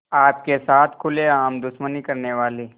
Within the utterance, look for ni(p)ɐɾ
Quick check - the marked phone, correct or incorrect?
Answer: incorrect